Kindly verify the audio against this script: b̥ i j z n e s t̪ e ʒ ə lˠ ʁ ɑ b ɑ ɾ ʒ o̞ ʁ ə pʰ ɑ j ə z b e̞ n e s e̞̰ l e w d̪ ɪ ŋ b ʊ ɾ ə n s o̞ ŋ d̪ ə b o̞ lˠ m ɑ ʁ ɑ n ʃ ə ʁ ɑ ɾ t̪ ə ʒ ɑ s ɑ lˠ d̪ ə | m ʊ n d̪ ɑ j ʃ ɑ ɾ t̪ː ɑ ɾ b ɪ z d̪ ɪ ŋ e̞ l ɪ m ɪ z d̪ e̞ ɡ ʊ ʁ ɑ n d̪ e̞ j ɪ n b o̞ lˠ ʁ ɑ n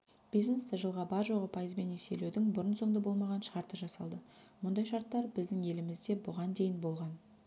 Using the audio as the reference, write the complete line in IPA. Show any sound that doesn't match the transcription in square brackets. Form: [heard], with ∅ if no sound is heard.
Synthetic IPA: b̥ i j z n e s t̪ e ʒ ə lˠ ʁ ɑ b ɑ ɾ ʒ o̞ ʁ ə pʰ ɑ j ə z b e̞ n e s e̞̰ l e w d̪ ɪ ŋ b ʊ ɾ ə n s o̞ ŋ d̪ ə b o̞ lˠ m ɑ ʁ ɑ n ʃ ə ʁ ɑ ɾ t̪ ə ʒ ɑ s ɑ lˠ d̪ ə | m ʊ n d̪ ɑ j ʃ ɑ ɾ t̪ː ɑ ɾ b ɪ z d̪ ɪ ŋ e̞ l ɪ m ɪ z d̪ e̞ [b] ʊ ʁ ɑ n d̪ e̞ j ɪ n b o̞ lˠ ʁ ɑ n

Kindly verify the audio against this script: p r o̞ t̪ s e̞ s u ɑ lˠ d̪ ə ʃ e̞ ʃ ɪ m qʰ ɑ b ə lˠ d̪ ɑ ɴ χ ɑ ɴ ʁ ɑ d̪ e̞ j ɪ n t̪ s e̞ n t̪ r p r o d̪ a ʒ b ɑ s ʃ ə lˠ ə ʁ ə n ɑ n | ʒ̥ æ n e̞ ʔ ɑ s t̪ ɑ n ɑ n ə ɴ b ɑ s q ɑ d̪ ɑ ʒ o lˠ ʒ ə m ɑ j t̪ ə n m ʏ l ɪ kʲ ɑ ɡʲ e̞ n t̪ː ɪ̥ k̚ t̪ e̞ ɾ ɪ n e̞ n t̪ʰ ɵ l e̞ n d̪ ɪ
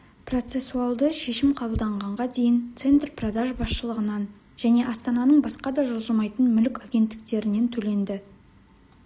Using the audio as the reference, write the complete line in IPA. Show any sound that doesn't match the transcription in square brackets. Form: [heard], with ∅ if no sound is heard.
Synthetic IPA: p r o̞ t̪ s e̞ s u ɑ lˠ d̪ ə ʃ e̞ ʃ ɪ m qʰ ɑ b ə lˠ d̪ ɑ ɴ [ʁ] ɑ ɴ ʁ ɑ d̪ e̞ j ɪ n t̪ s e̞ n t̪ r p r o d̪ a ʒ b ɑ s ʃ ə lˠ ə ʁ ə n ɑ n | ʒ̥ æ n e̞ ʔ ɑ s t̪ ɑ n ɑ n ə ɴ b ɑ s q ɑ d̪ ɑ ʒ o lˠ ʒ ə m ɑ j t̪ ə n m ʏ l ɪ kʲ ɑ ɡʲ e̞ n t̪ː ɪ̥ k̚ t̪ e̞ ɾ ɪ n e̞ n t̪ʰ ɵ l e̞ n d̪ ɪ

